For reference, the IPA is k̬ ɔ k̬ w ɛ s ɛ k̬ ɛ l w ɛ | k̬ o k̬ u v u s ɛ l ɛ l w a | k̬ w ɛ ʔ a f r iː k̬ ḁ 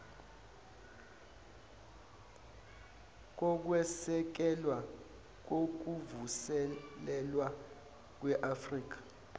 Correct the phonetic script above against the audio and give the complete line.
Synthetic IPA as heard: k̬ ɔ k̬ w ɛ s ɛ k̬ ɛ l w a | k̬ o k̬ u v u s ɛ l ɛ l w a | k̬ w ɛ ʔ a f r iː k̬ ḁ